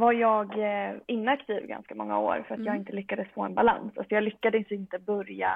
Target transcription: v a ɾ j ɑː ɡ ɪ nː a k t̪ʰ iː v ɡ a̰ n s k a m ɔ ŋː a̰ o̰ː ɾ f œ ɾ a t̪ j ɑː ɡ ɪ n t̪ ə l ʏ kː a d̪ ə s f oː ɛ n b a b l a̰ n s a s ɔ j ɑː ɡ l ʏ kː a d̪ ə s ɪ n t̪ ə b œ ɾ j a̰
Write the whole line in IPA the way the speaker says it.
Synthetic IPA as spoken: v a ɾ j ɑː ɡ ɪ nː a k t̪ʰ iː v ɡ a̰ n s k a m ɔ ŋː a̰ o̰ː ɾ f œ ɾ a t̪ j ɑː ɡ ɪ n t̪ ə l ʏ kː a d̪ ə s f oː ɛ n b a l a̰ n s a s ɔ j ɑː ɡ l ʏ kː a d̪ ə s ɪ n t̪ ə b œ ɾ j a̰